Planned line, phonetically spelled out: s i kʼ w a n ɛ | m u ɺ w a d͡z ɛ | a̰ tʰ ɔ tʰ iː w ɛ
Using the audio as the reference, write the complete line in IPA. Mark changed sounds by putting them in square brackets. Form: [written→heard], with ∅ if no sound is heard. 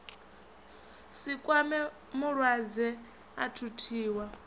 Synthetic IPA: s i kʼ w a [n→m] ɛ | m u ɺ w a d͡z ɛ | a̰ tʰ [ɔ→u] tʰ iː w [ɛ→a]